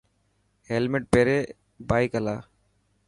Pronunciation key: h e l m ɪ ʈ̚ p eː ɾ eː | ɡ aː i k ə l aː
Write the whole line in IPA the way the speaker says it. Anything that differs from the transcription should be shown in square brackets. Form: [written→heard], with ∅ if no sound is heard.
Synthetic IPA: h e l m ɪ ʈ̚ p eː ɾ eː | [ɡ→b] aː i k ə l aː